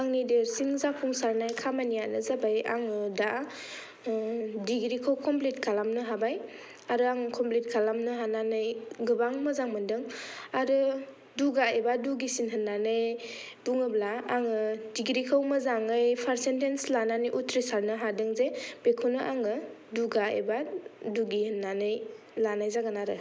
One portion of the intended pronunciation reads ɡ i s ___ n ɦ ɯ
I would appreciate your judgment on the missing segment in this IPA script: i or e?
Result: i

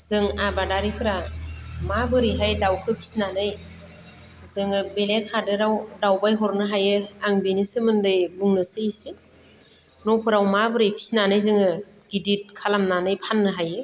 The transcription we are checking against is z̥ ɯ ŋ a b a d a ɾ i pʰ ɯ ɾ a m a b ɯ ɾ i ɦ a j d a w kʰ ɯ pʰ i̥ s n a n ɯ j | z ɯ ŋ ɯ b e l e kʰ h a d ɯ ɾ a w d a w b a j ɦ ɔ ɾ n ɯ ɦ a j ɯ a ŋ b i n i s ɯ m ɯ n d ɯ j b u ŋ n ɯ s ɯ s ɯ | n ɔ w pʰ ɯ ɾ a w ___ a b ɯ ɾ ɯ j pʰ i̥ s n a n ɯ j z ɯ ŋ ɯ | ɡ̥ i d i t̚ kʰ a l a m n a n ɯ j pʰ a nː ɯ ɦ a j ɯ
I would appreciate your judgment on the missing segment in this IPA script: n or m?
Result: m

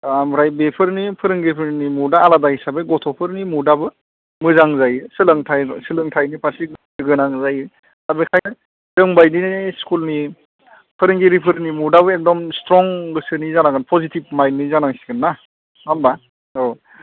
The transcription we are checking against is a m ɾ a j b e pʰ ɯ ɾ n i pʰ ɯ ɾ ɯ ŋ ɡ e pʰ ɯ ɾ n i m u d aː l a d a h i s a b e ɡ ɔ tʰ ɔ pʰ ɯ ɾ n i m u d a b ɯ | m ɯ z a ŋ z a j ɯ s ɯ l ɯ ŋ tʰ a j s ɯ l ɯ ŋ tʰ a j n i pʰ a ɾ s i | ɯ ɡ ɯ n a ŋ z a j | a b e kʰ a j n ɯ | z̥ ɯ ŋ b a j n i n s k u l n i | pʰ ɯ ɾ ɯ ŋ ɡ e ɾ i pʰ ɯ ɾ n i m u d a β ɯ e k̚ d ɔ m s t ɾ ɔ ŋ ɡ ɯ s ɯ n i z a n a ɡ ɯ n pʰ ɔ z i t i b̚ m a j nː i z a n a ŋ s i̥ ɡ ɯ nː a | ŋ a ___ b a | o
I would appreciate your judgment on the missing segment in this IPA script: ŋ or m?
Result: m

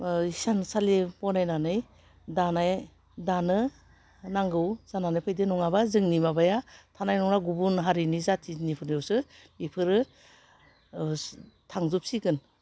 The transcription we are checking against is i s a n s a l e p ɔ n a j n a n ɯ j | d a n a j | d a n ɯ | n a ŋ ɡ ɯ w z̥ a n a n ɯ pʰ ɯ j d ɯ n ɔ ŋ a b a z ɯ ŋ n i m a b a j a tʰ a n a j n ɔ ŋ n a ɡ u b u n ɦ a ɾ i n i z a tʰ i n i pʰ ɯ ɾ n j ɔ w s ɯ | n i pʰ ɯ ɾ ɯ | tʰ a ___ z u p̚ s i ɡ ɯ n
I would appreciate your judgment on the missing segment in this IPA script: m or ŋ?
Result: ŋ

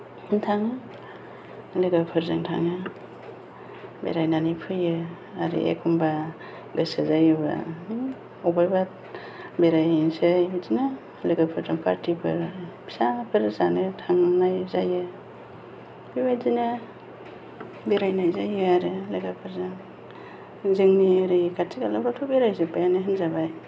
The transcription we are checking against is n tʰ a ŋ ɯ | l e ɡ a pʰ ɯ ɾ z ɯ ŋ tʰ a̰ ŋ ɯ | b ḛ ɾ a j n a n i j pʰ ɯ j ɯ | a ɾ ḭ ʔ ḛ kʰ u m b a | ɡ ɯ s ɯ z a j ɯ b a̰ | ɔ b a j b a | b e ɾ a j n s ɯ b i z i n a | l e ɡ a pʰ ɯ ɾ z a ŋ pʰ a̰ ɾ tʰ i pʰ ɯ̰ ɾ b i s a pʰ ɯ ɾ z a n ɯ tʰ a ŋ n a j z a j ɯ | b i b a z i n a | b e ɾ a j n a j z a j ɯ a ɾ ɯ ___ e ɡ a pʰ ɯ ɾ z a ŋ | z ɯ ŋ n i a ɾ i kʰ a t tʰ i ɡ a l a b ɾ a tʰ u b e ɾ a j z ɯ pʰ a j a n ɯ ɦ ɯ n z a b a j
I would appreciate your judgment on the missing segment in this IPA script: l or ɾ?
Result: l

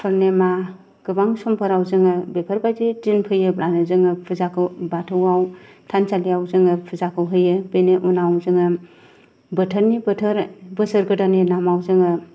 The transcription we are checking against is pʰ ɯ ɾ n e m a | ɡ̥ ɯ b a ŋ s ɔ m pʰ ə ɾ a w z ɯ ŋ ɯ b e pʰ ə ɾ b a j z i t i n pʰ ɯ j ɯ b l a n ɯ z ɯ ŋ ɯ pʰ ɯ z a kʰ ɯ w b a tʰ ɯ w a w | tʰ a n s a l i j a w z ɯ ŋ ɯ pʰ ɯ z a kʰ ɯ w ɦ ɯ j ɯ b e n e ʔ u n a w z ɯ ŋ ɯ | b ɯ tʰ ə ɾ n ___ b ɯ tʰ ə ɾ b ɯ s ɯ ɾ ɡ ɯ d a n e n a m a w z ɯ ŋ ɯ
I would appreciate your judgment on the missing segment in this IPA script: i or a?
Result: i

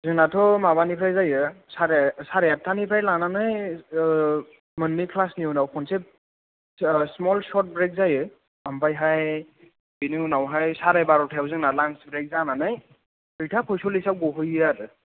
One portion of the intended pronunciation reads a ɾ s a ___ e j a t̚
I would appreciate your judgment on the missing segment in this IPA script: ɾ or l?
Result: ɾ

